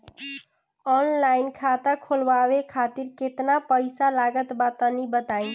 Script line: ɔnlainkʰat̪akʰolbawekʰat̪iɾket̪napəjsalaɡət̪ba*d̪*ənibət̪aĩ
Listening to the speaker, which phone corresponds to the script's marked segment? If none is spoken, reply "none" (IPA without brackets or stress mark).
t̪